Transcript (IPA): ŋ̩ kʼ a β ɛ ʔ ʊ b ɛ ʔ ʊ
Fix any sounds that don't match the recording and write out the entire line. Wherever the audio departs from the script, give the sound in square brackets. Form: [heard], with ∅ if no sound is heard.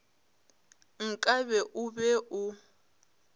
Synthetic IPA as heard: ŋ̩ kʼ a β ɛ ʔ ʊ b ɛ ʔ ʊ